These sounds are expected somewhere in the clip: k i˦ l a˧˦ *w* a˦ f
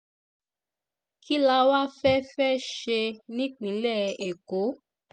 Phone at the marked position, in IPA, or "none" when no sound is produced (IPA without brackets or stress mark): w